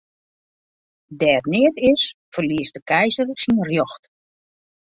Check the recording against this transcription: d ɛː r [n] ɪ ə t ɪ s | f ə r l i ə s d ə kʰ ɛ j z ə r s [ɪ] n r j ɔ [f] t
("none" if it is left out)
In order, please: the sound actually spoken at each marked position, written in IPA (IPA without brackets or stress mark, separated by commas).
n, i, x